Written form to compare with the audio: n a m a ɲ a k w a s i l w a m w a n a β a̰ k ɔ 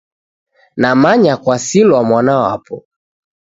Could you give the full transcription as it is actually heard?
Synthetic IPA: n a m a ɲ a k w a s i l w a m w a n a w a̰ p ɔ